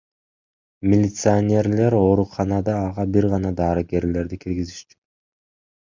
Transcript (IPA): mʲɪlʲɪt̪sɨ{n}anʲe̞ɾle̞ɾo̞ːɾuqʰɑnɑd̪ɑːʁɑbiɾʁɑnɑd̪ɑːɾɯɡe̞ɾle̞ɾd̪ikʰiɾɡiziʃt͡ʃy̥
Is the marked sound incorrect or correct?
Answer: incorrect